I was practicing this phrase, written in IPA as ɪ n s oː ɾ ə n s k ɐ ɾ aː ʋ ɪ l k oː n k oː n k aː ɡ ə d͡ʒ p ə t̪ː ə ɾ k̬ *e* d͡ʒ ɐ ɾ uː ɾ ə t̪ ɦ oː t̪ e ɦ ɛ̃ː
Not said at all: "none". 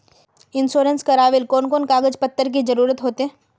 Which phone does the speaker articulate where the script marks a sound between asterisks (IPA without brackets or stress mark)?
i